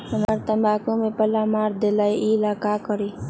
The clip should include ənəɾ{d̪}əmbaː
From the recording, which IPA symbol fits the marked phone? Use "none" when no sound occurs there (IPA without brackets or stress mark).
t̪